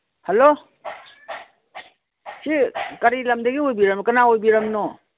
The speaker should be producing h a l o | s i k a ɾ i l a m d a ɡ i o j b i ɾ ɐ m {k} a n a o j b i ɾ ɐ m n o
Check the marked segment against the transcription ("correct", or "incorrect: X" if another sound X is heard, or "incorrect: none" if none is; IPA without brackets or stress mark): correct